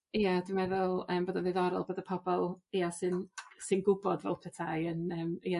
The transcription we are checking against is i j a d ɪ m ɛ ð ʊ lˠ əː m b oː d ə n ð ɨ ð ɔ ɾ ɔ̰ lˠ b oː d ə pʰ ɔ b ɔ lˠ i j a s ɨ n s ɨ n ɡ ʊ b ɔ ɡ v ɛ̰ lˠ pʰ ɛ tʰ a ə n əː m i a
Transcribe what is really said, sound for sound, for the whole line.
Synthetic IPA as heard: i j a d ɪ m ɛ ð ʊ lˠ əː m b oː d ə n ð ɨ ð ɔ ɾ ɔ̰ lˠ b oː d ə pʰ ɔ b ɔ lˠ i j a s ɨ n s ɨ n ɡ ʊ b ɔ d v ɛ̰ lˠ pʰ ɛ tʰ a ə n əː m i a